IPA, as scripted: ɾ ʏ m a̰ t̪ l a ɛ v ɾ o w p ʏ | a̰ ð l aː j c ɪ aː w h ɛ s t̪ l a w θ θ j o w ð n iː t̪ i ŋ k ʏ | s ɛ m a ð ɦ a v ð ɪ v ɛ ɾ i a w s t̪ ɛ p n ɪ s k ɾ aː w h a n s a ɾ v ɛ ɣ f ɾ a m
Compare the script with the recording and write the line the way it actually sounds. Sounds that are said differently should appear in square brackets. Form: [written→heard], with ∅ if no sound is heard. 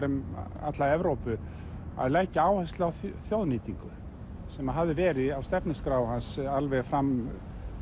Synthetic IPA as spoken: ɾ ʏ m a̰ t̪ l a ɛ v ɾ o w p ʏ | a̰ ð l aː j c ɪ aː w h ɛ s t̪ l a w θ θ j o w ð n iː t̪ i ŋ k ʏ | s ɛ m a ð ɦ a v ð ɪ v [ɛ→ɛː] ɾ [i→ɪ] a w s t̪ ɛ p n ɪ s k ɾ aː w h a n s a [ɾ→l] v ɛ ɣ f ɾ a m